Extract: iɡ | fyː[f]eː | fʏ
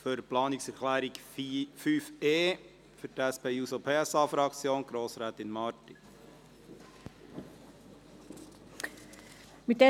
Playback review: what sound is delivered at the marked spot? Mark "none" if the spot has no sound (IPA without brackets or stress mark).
f